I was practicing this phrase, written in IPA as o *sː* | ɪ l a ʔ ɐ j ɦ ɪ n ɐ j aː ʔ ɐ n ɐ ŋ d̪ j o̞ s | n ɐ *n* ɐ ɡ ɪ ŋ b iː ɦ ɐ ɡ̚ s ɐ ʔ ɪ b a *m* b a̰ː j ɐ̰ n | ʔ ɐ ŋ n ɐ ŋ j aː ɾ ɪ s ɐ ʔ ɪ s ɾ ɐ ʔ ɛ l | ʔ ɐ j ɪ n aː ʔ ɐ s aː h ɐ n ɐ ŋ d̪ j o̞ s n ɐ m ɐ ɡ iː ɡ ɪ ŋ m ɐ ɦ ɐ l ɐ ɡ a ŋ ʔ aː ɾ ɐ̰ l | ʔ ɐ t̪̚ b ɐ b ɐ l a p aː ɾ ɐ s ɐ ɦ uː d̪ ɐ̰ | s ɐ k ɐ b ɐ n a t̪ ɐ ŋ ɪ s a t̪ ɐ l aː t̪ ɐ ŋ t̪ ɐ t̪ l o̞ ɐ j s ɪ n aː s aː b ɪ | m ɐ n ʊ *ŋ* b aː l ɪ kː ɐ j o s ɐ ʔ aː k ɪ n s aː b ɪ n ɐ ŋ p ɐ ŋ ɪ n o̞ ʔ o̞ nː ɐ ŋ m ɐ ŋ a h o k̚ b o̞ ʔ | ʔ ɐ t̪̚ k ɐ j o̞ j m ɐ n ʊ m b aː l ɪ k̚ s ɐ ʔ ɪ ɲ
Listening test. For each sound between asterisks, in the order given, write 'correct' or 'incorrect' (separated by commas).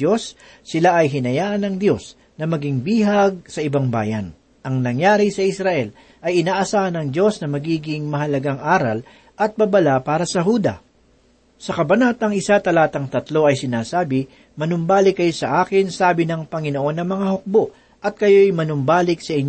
correct, incorrect, incorrect, incorrect